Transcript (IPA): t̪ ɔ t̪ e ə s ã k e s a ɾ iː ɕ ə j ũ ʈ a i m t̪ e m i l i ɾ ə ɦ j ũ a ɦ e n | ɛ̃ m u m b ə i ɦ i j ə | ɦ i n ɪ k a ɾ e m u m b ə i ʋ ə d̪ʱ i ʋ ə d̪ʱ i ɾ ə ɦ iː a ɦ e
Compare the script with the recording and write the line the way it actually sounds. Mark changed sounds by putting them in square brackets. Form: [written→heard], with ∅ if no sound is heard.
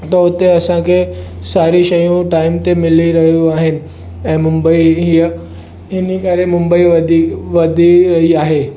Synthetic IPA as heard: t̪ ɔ t̪ e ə s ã k e s a ɾ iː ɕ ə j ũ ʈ a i m t̪ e m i l i ɾ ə ɦ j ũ a ɦ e n | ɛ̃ m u m b ə i ɦ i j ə | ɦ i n [ɪ→i] k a ɾ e m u m b ə i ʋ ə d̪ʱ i ʋ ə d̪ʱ i ɾ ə ɦ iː a ɦ e

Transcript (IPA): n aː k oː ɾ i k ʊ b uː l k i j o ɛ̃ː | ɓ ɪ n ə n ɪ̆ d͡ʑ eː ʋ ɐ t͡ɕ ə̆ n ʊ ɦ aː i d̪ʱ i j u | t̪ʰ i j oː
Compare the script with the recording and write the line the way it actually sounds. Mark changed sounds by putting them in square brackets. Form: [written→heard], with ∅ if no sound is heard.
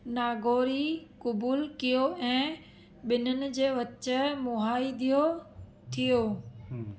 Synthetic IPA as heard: n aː [k→ɡ] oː ɾ i k ʊ b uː l k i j o ɛ̃ː | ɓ ɪ n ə n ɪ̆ d͡ʑ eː ʋ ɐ t͡ɕ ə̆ [n→m] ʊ ɦ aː i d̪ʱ i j [u→o] | t̪ʰ i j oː

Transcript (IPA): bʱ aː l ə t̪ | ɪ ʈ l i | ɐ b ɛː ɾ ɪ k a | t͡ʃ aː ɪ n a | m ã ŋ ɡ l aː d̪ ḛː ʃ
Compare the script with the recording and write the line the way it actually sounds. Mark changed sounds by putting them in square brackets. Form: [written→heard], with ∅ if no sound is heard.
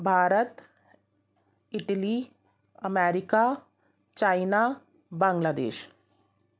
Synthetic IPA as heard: bʱ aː [l→ɾ] ə t̪ | ɪ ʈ l i | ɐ [b→m] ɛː ɾ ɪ k a | t͡ʃ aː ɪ n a | [m→b] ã ŋ ɡ l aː d̪ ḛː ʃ

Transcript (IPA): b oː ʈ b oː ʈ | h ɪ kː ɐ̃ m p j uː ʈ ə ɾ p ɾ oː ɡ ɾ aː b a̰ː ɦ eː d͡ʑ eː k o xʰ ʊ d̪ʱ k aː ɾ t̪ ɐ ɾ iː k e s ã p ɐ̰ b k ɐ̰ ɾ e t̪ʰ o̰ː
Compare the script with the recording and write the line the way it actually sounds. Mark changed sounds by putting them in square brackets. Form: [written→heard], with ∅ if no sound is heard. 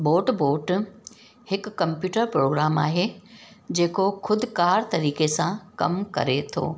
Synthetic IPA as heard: b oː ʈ b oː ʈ | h ɪ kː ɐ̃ m p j uː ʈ ə ɾ p ɾ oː ɡ ɾ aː [b→m] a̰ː ɦ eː d͡ʑ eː k o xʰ ʊ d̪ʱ k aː ɾ t̪ ɐ ɾ iː k e s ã [p→k] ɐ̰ [b→m] k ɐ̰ ɾ e t̪ʰ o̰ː

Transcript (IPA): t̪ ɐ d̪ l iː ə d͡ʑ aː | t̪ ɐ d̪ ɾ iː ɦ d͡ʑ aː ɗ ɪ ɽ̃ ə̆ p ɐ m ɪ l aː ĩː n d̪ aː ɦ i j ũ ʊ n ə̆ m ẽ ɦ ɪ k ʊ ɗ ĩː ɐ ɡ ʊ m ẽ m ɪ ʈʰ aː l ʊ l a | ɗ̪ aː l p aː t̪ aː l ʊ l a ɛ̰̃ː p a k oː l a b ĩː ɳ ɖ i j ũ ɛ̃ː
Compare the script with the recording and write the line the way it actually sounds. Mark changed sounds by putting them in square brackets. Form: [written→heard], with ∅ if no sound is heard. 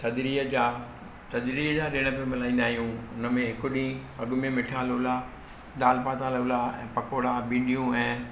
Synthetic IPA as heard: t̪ ɐ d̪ [l→ɾ] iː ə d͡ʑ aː | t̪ ɐ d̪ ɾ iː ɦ d͡ʑ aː ɗ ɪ ɽ̃ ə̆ p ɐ m ɪ l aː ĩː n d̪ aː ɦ i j ũ ʊ n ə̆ m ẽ ɦ ɪ k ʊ ɗ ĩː ɐ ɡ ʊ m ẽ m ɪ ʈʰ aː l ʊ l a | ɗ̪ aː l p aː t̪ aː l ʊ l a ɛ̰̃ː p [a→ɐ] k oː [l→ɽ] a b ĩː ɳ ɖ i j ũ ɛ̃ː

